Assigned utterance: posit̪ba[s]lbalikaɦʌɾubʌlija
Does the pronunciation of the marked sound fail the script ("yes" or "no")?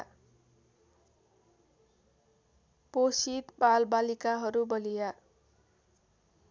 yes